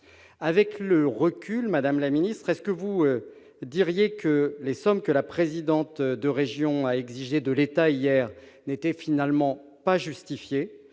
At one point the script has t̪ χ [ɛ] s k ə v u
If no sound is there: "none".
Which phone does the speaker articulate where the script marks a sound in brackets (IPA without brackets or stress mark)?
ɛ